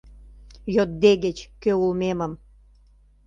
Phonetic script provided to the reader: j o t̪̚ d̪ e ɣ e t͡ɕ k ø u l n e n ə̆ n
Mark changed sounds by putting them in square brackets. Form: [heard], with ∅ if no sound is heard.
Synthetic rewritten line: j o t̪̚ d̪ e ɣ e t͡ɕ k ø u l [m] e [m] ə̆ [m]

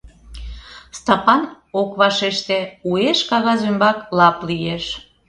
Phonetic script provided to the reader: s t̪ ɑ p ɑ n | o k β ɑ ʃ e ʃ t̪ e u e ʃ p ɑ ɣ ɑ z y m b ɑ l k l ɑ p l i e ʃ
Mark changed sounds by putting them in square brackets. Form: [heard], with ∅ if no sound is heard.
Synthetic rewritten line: s t̪ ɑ p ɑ n | o k β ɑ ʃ e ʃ t̪ e u e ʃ [k] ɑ ɣ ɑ z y m b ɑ [∅] k l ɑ p l i e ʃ

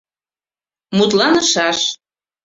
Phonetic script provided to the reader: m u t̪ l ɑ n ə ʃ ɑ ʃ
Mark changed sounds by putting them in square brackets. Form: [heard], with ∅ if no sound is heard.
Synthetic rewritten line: m u t̪ l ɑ n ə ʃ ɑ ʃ

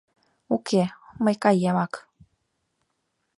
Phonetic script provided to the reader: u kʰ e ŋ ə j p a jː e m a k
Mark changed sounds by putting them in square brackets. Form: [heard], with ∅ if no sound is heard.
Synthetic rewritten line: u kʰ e [m] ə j [k] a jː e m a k

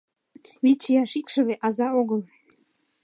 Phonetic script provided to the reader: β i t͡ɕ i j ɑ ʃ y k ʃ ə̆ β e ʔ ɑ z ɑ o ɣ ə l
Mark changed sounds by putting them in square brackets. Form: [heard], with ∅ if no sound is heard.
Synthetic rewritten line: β i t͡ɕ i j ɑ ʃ [i] k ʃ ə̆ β e ʔ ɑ z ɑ o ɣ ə l

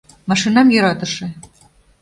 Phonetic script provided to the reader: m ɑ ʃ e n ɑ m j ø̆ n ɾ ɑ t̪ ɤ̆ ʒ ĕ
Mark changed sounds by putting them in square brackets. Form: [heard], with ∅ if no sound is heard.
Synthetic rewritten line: m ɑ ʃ [i] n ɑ m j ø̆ [∅] ɾ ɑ t̪ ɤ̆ [ʃ] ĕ

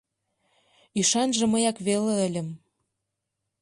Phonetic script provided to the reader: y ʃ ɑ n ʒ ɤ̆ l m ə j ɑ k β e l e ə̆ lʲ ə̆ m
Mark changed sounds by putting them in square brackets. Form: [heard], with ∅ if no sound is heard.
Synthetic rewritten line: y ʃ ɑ n ʒ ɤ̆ [∅] m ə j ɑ k β e l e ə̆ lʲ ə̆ m

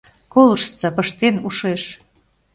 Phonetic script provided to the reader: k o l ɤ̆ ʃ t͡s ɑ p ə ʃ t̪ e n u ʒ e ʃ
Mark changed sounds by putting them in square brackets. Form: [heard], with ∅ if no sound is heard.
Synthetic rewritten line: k o l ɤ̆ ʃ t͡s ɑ p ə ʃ t̪ e n u [ʃ] e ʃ

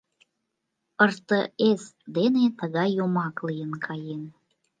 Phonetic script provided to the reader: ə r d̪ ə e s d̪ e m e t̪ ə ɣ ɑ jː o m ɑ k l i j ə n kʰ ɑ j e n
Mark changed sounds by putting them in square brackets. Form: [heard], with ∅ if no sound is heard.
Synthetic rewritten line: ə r [t̪] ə e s d̪ e [n] e t̪ ə ɣ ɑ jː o m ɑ k l i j ə n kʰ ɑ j e n

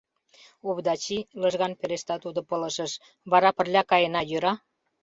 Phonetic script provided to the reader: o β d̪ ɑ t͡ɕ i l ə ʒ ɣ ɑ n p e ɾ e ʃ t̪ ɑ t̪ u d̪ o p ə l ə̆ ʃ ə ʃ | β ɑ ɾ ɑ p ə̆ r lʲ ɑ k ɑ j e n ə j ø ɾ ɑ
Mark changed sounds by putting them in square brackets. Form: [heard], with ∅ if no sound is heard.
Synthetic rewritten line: o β d̪ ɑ t͡ɕ i l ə ʒ ɣ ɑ n p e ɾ e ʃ t̪ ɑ t̪ u d̪ o p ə l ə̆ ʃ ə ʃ | β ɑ ɾ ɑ p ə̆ r lʲ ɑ k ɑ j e n [ɑ] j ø ɾ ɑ

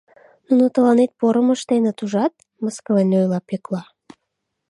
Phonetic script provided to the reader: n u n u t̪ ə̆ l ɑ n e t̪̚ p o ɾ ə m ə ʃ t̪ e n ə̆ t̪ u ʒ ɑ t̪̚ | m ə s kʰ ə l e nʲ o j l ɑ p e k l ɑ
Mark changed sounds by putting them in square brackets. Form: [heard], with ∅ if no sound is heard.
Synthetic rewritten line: n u n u t̪ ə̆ l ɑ n e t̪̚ p o ɾ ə m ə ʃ t̪ e n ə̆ t̪ u ʒ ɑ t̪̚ | m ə s [k] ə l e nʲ o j l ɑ p e k l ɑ

